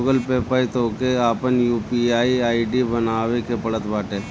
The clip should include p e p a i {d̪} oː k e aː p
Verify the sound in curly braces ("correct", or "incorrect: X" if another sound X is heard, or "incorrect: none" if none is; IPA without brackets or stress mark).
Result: incorrect: t̪